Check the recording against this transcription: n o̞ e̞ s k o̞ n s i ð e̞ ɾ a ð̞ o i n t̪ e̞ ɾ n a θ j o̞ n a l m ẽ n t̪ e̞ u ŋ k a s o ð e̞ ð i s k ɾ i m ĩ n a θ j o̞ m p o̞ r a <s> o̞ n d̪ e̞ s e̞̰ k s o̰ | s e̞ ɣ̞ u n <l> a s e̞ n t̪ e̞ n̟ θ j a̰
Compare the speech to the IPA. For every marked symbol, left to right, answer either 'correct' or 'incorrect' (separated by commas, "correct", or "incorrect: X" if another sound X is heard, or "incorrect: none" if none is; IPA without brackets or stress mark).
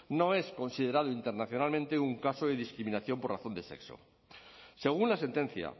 incorrect: θ, correct